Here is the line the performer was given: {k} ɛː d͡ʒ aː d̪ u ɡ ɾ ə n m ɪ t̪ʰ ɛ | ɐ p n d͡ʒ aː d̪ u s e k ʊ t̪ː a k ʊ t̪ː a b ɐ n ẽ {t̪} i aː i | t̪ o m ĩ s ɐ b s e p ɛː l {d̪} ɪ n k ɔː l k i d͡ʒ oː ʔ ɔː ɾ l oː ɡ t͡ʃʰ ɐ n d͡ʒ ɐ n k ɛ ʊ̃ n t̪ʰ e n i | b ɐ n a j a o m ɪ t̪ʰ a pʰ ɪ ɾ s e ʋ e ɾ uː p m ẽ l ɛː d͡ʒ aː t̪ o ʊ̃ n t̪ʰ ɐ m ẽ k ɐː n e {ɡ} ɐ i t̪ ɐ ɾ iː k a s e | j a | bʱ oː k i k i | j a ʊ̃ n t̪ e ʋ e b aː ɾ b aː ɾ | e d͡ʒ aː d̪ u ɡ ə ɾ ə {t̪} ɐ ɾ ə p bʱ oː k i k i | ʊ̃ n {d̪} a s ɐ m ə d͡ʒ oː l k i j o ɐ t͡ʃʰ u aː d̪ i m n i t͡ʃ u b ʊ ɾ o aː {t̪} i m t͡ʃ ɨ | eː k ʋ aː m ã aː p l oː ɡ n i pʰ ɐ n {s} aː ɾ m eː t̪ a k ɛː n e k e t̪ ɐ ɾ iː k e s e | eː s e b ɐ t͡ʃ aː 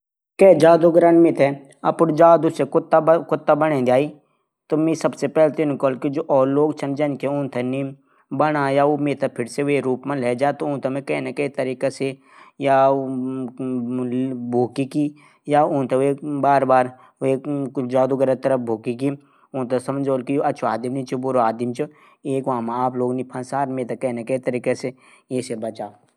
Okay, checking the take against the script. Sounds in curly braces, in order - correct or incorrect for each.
correct, incorrect, incorrect, incorrect, correct, incorrect, incorrect, correct

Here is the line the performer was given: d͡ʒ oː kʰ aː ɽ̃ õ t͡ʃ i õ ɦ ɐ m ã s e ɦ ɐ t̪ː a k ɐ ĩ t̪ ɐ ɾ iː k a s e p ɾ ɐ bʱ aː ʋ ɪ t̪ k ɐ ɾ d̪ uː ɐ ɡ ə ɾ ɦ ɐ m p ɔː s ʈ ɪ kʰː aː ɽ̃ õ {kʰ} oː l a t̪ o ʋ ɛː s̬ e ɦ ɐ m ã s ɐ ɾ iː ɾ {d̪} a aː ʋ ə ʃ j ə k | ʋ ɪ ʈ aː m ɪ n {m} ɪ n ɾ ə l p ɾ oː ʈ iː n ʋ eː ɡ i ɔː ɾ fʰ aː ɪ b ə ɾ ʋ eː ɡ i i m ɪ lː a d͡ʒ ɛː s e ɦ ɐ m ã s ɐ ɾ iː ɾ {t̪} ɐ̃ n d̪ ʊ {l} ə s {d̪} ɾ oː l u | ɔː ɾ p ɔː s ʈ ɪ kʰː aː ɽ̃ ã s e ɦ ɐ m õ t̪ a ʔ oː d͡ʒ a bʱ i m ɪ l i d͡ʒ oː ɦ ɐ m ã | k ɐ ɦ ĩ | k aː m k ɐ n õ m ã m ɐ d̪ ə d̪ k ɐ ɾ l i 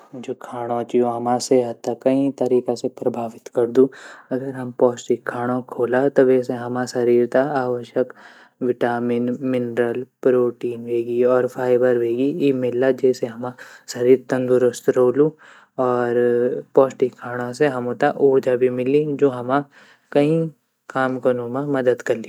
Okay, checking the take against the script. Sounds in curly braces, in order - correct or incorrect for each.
correct, incorrect, correct, correct, incorrect, incorrect

